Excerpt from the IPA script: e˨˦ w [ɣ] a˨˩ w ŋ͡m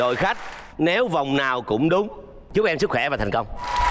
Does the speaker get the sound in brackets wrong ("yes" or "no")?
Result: yes